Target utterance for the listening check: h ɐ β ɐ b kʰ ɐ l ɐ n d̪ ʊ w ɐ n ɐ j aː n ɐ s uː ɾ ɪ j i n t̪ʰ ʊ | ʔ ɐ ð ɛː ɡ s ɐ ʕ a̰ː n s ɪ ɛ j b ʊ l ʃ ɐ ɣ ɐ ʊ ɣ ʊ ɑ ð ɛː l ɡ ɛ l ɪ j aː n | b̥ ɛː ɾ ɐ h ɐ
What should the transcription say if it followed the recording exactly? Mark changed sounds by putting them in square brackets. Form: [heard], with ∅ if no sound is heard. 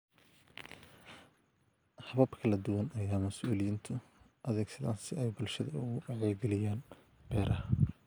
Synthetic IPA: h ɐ β ɐ b kʰ ɐ l ɐ [∅] d̪ ʊ w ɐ n ɐ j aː [m] ɐ s uː [l] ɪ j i n t̪ʰ ʊ | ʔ ɐ ð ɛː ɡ s ɐ [ð] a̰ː n s ɪ ɛ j b ʊ l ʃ ɐ [ð] ɐ ʊ ɣ ʊ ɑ [ʕ] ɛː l ɡ ɛ l ɪ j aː n | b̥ ɛː ɾ ɐ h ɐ